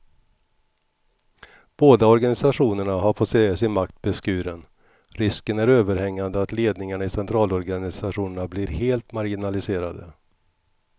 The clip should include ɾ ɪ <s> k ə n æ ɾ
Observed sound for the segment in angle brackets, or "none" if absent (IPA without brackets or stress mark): s